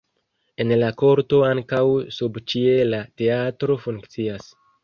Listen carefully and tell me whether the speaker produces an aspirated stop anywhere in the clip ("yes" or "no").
no